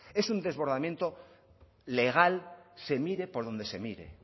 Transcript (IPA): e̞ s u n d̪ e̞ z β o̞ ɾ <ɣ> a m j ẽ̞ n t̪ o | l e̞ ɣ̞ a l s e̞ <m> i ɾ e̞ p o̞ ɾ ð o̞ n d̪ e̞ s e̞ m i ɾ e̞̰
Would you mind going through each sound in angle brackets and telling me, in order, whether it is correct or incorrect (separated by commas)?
incorrect, correct